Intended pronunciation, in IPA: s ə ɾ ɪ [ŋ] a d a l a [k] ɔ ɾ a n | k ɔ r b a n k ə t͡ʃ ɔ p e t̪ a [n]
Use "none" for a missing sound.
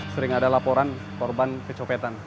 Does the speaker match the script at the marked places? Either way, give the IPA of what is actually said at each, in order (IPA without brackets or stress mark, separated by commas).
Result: ŋ, p, n